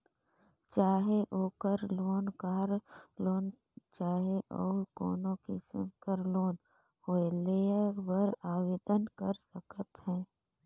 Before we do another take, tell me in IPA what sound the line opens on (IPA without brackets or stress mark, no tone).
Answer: t͡ʃ